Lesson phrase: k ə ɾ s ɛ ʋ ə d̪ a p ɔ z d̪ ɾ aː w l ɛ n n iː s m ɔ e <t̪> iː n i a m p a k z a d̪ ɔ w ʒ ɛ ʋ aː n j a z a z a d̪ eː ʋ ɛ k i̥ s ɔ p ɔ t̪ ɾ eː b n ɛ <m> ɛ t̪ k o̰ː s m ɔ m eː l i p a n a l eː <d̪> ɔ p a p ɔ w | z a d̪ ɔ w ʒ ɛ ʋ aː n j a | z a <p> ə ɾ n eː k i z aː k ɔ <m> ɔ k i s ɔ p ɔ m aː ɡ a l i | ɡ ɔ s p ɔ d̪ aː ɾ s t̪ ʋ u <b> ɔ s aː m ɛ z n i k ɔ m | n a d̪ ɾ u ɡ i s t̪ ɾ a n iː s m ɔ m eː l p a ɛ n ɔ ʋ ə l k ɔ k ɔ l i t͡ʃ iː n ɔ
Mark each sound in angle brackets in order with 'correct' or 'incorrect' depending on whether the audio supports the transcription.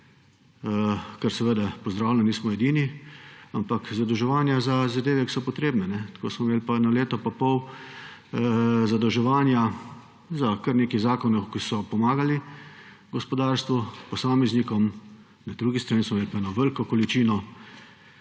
incorrect: d̪, incorrect: n, incorrect: t̪, incorrect: k, incorrect: n, incorrect: p

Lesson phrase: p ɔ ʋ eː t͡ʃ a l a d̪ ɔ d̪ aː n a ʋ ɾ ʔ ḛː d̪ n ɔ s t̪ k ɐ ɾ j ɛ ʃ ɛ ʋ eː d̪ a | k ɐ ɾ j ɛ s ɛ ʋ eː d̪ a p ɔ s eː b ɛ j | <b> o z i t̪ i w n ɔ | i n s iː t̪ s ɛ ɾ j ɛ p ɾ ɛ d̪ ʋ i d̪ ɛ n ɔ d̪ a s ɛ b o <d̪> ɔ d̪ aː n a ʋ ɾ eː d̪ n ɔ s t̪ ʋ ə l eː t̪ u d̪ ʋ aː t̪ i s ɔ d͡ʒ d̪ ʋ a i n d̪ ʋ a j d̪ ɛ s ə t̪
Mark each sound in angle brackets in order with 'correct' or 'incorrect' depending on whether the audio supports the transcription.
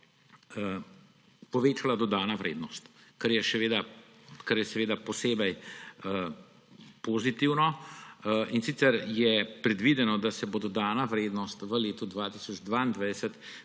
incorrect: p, correct

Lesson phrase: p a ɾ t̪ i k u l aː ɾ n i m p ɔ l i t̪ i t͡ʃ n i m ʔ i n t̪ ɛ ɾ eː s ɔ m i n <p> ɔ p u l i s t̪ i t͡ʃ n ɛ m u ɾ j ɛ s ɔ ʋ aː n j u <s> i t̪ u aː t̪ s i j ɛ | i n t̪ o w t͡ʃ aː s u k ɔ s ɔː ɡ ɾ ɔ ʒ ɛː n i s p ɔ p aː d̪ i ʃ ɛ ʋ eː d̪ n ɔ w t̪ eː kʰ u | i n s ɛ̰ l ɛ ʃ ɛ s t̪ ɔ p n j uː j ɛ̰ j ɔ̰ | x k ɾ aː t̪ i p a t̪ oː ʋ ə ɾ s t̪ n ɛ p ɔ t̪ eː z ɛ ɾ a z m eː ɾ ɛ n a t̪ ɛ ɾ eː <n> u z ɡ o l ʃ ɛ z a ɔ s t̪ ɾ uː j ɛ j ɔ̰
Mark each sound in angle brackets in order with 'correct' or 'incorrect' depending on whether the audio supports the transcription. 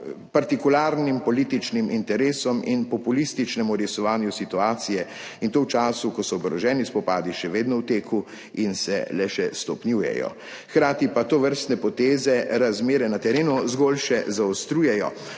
correct, correct, correct

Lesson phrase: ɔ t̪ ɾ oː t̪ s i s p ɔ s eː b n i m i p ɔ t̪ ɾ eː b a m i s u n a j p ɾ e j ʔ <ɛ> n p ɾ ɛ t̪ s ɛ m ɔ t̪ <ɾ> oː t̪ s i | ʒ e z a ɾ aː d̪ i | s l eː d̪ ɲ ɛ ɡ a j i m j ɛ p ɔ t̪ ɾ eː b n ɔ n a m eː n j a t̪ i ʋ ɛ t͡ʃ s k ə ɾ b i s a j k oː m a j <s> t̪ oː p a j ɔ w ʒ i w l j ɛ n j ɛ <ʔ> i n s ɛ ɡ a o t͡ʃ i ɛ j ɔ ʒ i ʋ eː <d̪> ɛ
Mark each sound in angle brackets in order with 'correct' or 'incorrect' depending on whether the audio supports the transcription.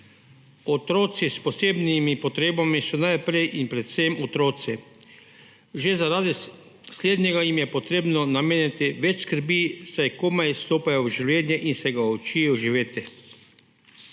incorrect: i, correct, correct, correct, incorrect: t̪

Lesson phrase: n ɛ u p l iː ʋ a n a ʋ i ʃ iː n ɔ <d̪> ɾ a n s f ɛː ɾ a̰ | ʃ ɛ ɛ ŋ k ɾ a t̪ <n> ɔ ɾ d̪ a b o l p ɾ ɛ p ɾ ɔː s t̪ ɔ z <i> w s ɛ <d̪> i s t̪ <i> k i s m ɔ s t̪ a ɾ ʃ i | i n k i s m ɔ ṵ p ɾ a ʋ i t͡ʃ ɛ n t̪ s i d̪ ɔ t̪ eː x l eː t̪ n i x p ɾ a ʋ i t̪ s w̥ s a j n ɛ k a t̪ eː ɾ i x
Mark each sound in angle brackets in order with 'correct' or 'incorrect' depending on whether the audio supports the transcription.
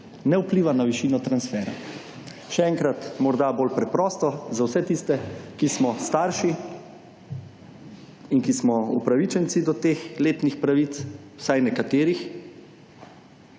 incorrect: t̪, incorrect: m, incorrect: a, incorrect: t̪, incorrect: ɛ

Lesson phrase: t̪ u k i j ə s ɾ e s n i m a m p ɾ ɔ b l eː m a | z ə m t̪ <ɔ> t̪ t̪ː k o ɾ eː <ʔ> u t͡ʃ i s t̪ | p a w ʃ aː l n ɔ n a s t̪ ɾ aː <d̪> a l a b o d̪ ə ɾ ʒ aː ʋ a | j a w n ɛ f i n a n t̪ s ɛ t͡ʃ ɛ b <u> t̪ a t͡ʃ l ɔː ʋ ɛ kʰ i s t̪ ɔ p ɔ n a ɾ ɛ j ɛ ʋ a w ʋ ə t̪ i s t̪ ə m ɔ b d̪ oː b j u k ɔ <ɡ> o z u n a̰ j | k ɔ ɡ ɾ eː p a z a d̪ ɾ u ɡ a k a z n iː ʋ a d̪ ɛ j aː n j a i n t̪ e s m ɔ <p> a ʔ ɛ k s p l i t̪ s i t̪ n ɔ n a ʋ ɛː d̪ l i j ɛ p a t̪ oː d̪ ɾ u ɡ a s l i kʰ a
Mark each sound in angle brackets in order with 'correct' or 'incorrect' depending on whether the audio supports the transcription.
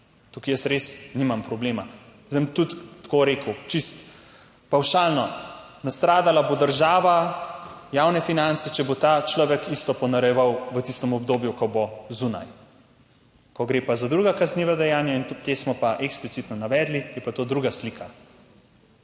incorrect: u, incorrect: k, correct, incorrect: o, incorrect: b, correct

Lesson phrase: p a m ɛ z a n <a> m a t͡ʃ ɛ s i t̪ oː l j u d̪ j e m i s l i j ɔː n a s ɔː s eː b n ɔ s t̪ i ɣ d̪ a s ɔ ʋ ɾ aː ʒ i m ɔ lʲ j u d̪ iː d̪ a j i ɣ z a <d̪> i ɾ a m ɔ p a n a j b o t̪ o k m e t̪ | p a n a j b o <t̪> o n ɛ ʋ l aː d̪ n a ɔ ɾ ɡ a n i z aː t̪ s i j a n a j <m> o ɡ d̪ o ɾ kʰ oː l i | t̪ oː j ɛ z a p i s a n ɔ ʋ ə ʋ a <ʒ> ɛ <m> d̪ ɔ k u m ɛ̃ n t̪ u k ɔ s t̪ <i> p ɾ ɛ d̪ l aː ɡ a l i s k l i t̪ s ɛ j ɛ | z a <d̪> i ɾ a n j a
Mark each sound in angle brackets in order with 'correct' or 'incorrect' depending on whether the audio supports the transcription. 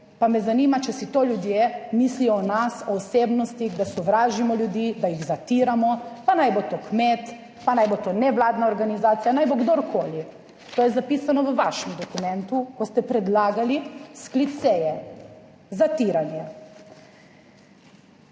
incorrect: i, incorrect: t̪, correct, incorrect: b, incorrect: ʃ, correct, incorrect: ɛ, incorrect: t̪

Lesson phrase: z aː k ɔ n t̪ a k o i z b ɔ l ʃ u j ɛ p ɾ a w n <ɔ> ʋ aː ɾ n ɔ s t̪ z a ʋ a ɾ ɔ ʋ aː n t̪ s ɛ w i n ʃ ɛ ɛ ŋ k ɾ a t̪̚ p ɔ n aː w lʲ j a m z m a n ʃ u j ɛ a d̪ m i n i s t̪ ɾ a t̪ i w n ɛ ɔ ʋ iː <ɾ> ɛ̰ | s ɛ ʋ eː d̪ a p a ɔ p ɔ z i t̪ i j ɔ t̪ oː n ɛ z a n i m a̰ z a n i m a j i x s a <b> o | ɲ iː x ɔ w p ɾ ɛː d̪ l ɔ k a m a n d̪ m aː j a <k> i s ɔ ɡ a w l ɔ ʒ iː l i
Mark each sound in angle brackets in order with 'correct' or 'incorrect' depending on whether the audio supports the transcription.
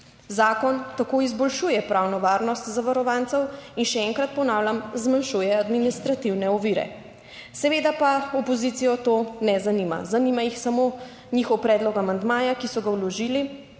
correct, correct, incorrect: m, correct

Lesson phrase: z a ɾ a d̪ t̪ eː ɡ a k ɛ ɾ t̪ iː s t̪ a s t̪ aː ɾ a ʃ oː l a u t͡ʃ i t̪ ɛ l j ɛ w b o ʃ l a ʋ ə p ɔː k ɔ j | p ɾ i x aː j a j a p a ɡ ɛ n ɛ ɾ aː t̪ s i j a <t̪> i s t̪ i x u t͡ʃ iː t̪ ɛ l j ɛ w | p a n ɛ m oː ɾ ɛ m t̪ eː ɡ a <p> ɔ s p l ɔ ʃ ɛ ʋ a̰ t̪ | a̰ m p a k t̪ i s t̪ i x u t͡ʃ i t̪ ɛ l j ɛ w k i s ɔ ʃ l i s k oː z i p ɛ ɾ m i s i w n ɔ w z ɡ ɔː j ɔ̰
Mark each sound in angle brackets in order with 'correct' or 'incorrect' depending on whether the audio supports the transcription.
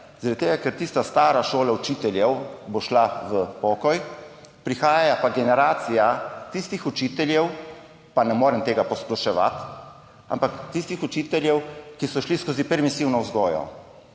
correct, correct

